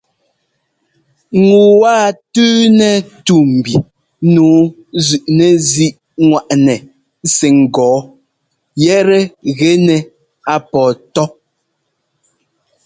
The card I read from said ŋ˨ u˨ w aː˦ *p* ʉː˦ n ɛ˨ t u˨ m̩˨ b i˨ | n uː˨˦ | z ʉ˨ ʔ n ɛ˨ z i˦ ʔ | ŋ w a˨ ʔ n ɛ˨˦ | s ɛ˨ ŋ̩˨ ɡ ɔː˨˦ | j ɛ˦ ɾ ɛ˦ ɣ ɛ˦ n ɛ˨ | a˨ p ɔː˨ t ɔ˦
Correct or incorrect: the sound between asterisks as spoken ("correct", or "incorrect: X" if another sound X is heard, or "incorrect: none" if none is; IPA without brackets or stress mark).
incorrect: t